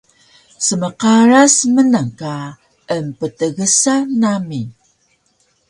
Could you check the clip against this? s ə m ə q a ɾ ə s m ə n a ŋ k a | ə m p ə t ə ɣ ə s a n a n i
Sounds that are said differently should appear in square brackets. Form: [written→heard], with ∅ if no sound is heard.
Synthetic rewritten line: s ə m ə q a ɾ [ə→a] s m ə n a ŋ k a | ə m p ə t ə ɣ ə s a n a [n→m] i